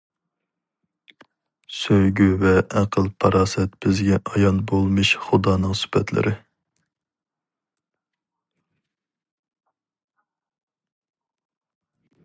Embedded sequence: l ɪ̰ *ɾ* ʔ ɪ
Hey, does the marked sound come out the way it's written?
yes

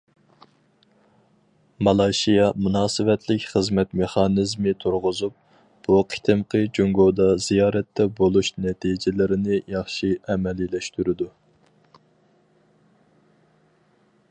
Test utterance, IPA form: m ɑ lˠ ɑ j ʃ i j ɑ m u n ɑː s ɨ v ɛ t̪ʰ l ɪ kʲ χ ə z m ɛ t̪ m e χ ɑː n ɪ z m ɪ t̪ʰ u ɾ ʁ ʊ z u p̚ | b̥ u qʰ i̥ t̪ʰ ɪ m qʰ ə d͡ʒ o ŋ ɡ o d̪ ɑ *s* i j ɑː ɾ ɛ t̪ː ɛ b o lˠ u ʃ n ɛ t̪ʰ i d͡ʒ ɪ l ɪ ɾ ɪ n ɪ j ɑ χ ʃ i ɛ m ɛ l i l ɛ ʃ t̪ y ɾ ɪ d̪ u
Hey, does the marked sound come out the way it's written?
no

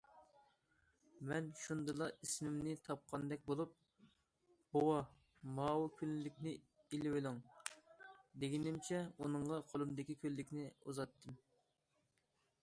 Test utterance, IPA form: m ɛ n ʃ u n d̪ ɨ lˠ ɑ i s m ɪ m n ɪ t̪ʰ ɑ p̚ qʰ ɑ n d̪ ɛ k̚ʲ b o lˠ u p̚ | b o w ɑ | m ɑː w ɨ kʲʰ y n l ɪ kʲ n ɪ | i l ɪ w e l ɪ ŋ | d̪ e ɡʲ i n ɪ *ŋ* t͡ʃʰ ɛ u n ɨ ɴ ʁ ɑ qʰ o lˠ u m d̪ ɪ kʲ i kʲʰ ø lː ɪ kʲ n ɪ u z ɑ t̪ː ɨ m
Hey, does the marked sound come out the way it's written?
no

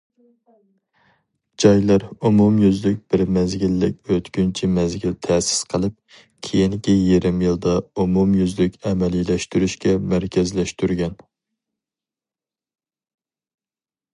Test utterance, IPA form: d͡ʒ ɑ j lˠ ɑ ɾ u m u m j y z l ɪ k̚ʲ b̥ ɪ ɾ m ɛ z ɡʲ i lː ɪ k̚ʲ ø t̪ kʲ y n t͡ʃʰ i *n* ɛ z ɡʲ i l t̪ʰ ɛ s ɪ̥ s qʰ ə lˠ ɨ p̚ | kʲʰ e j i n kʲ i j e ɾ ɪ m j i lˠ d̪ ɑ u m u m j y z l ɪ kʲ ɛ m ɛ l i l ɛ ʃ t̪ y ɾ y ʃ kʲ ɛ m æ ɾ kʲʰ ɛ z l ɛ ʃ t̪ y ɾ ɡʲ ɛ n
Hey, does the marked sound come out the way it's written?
no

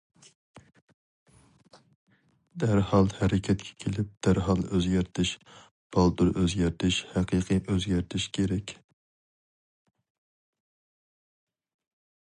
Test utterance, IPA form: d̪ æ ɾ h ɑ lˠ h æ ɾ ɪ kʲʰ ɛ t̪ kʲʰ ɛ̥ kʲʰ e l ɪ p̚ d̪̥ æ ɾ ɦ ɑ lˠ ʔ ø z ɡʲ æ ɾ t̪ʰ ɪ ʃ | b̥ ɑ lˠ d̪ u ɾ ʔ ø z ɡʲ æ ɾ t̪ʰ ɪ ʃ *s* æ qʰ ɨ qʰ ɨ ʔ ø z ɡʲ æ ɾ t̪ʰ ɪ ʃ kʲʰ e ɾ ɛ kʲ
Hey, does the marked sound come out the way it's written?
no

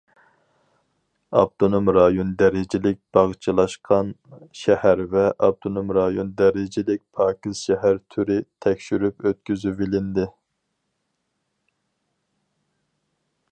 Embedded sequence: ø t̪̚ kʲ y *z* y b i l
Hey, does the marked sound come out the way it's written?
yes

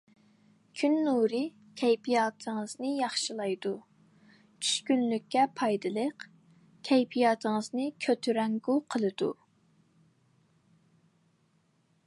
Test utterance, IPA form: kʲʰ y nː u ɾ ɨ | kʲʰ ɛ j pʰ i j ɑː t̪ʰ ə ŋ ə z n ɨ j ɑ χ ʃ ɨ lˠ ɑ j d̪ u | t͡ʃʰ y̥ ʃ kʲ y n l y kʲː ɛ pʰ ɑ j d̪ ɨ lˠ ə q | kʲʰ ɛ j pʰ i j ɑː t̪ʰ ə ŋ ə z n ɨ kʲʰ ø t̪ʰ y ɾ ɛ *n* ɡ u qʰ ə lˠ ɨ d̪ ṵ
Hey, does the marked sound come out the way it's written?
no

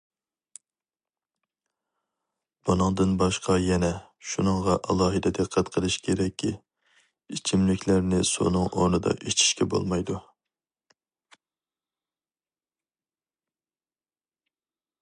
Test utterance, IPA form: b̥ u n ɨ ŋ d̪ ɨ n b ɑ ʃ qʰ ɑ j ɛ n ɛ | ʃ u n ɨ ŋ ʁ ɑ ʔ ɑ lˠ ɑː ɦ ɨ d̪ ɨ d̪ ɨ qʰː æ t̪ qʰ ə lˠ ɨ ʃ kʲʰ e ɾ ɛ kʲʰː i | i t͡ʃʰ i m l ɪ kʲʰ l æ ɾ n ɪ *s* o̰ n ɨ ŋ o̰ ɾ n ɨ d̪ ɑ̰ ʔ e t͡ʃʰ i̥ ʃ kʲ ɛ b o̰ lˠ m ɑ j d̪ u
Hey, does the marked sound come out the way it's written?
yes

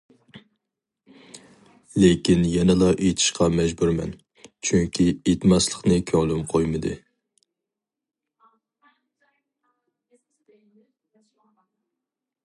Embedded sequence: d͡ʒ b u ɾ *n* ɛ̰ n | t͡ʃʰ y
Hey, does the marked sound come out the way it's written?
no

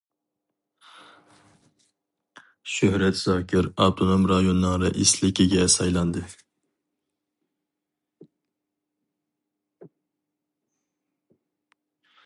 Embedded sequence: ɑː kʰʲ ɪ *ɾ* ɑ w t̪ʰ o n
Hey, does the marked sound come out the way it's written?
yes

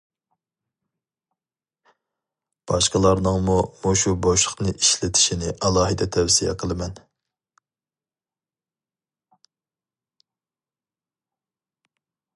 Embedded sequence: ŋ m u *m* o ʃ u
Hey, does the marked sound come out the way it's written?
yes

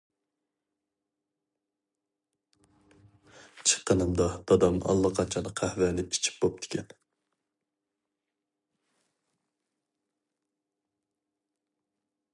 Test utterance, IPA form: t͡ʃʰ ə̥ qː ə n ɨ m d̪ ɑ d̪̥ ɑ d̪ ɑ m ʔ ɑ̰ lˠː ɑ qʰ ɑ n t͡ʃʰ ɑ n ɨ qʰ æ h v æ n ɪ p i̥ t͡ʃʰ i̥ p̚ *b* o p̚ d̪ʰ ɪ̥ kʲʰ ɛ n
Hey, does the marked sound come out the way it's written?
yes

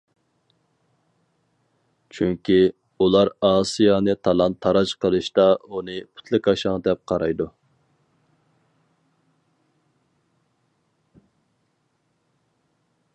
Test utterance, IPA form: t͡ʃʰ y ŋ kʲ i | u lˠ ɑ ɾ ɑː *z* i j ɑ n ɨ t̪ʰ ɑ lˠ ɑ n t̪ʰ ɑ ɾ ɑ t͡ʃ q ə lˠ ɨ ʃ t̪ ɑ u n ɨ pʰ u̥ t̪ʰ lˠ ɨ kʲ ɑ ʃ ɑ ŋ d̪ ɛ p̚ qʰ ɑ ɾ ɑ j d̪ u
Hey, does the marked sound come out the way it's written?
no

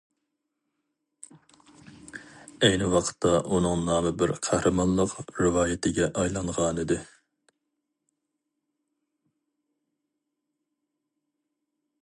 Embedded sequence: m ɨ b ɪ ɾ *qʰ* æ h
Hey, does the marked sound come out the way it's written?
yes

